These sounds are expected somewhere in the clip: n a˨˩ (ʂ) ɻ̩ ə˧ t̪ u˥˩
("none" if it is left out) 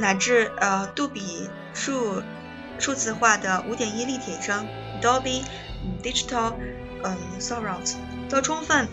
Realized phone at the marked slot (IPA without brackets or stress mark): ʈ͡ʂ